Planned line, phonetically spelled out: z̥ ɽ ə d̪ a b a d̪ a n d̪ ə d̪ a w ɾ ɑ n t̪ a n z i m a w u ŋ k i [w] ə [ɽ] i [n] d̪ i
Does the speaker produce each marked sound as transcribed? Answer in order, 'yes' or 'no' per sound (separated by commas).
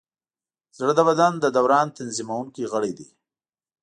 no, yes, no